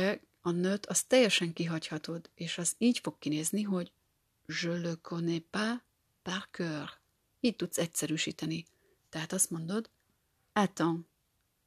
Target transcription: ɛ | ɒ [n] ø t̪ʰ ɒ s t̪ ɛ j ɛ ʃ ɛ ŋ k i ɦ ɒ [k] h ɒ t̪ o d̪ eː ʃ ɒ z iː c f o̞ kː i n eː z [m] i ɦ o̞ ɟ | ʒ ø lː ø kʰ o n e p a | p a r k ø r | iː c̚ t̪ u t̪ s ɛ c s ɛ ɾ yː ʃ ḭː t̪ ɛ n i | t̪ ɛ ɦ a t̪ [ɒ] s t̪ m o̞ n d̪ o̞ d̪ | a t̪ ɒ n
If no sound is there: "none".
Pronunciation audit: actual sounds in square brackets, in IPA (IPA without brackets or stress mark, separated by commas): n, c, n, ɒ